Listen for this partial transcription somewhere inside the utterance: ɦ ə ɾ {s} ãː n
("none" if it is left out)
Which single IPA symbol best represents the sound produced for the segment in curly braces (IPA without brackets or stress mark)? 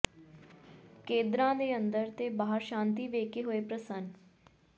ʃ